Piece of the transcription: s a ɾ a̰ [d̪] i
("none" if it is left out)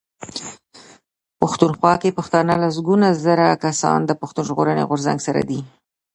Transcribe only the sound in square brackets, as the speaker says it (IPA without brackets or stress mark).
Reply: d̪